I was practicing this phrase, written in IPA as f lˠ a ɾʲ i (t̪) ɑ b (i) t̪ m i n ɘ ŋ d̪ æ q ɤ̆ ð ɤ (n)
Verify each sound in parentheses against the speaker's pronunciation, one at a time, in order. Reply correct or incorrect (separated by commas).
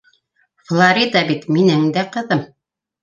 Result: incorrect, correct, incorrect